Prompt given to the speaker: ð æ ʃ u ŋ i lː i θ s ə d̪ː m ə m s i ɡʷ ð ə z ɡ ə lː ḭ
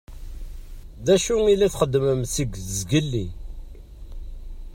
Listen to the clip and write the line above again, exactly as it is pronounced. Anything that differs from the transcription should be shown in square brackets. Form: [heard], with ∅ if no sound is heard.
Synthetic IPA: ð æ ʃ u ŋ i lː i θ [χ] ə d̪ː m ə m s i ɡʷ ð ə z ɡ ə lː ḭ